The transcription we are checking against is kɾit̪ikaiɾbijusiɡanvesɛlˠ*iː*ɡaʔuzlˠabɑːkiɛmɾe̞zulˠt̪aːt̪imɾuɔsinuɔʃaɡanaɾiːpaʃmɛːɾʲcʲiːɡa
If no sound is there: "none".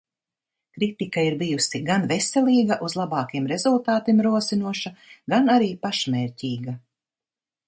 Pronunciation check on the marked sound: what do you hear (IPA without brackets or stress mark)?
iː